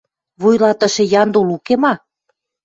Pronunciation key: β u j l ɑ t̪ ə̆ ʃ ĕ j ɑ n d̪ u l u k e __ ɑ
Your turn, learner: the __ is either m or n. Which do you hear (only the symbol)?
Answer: m